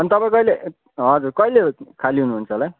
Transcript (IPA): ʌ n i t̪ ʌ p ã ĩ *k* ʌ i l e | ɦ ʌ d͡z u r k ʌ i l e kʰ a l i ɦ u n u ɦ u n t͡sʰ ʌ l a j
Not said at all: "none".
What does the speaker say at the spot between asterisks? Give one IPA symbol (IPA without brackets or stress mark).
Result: k